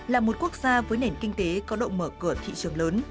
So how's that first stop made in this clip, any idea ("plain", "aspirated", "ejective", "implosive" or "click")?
plain